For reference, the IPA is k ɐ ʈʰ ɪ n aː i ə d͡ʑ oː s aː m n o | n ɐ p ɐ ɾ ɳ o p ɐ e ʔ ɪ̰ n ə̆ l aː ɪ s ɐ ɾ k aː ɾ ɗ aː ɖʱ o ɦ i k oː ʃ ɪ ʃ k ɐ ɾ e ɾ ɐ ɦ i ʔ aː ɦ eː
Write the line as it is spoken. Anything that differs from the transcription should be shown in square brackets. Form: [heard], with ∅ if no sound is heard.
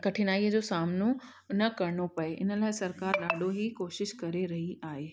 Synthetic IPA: k ɐ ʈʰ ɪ n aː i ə d͡ʑ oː s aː m n o | n ɐ [k] ɐ ɾ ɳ o p ɐ e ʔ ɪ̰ n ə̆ l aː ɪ s ɐ ɾ k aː ɾ ɗ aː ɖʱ o ɦ i k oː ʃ ɪ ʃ k ɐ ɾ e ɾ ɐ ɦ i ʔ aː ɦ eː